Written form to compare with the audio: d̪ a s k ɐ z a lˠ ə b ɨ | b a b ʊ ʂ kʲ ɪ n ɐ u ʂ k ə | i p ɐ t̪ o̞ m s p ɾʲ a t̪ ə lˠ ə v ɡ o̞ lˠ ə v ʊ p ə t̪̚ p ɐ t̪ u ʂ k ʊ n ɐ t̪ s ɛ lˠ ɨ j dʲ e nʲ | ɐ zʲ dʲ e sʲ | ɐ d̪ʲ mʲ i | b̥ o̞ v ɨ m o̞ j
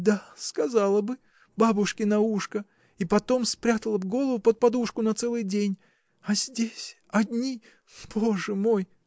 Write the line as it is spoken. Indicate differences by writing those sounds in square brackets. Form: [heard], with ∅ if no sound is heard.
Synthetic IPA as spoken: d̪ a s k ɐ z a lˠ ə b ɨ | b a b ʊ ʂ kʲ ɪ n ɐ u ʂ k ə | i p ɐ t̪ o̞ m s p ɾʲ a t̪ ə lˠ ə v ɡ o̞ lˠ ə v ʊ p ə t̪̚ p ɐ [d̪] u ʂ k ʊ n ɐ t̪ s ɛ lˠ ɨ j dʲ e nʲ | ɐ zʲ dʲ e sʲ | ɐ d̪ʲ [nʲ] i | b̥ o̞ [ʐ] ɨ m o̞ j